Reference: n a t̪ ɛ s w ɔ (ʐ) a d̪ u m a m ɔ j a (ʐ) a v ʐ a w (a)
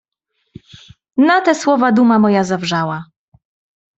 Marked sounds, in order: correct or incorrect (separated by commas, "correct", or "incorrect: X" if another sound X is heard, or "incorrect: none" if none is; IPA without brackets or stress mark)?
incorrect: v, incorrect: z, correct